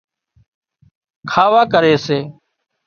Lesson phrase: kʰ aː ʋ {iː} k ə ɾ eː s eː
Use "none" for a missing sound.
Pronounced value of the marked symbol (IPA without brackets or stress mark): aː